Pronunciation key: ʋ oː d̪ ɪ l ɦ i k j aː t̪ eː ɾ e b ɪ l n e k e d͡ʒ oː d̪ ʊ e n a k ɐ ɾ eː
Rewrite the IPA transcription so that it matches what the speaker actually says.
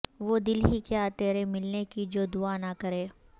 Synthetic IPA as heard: ʋ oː d̪ ɪ l ɦ i k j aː t̪ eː ɾ e m ɪ l n e k i d͡ʒ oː d̪ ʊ a n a k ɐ ɾ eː